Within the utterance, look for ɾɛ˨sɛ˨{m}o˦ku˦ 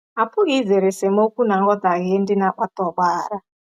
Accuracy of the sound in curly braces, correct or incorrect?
correct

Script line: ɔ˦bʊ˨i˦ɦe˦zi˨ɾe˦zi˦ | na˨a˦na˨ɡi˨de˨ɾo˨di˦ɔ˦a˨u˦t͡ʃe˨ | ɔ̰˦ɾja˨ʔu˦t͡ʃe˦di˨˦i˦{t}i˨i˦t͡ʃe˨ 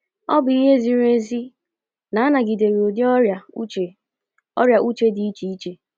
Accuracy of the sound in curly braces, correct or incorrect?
incorrect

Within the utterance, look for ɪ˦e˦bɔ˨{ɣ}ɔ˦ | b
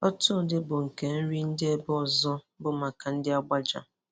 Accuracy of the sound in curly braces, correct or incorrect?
incorrect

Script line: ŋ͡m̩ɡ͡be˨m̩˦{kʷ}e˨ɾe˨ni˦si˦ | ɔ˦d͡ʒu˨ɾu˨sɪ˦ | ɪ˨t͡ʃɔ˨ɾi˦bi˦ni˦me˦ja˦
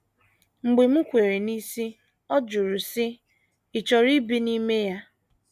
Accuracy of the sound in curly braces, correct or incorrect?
correct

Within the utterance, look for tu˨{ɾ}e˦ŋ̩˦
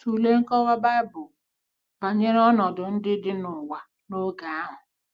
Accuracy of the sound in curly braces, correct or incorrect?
incorrect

